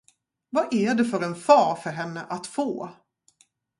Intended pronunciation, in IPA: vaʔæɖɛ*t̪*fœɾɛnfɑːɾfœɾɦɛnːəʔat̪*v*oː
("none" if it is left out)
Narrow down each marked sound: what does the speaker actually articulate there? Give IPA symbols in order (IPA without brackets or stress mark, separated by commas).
none, f